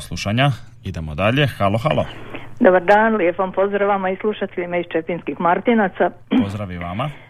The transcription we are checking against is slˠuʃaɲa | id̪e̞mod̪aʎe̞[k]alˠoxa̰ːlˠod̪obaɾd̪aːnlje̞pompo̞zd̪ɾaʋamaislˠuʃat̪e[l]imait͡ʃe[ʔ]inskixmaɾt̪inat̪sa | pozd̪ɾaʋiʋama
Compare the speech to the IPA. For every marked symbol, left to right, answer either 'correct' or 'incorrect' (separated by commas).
incorrect, incorrect, incorrect